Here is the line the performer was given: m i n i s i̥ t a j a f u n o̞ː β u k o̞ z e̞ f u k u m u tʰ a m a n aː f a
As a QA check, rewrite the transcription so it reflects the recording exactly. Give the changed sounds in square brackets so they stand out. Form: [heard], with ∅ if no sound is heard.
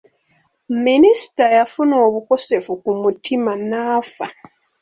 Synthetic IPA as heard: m i n i s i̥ t a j a f u n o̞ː β u k o̞ [s] e̞ f u k u m u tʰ [i] m a n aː f a